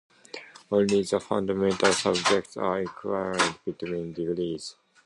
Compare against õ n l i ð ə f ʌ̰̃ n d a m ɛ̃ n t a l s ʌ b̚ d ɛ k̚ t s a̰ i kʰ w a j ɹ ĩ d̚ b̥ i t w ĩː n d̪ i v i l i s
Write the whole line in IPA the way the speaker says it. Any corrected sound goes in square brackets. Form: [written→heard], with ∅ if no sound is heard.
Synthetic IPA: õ n l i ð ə f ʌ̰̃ n d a m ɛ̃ n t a l s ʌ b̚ [d→d͡ʒ] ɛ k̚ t s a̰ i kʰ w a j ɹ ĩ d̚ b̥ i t w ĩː n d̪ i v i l i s